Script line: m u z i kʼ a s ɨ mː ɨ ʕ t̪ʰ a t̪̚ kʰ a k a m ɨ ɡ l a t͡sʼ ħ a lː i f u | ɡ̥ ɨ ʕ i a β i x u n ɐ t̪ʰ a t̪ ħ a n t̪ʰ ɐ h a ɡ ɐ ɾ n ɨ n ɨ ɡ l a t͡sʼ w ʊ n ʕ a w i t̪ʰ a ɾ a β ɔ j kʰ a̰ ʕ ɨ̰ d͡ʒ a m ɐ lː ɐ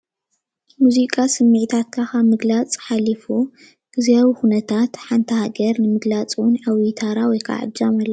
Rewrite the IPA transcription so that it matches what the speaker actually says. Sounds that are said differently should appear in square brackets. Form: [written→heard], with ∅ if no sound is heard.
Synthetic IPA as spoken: m u z i kʼ a s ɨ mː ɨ ʕ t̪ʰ a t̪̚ kʰ a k a m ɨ ɡ l a t͡sʼ ħ a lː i f u | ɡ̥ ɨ [ʕ→z] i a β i x u n ɐ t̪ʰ a t̪ ħ a n t̪ʰ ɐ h a ɡ ɐ ɾ n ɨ [n→m] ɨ ɡ l a t͡sʼ w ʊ n ʕ a w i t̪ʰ a ɾ a [β→w] ɔ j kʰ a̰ ʕ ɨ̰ d͡ʒ a m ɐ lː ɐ